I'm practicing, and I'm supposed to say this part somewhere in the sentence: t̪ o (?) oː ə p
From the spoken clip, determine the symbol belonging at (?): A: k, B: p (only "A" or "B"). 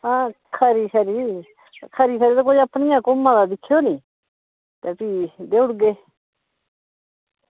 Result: A